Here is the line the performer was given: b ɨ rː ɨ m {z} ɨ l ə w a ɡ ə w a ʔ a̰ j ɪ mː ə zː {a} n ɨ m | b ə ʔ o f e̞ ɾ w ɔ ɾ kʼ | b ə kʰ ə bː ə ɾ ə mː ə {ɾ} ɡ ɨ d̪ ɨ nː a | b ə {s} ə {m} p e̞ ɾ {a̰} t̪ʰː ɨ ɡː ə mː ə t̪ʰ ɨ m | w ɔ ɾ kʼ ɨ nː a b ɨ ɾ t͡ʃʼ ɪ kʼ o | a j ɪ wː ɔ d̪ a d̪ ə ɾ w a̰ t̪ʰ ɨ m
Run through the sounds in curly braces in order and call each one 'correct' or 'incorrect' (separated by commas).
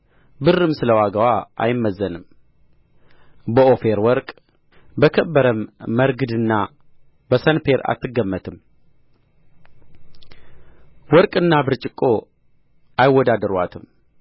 incorrect, incorrect, correct, correct, incorrect, correct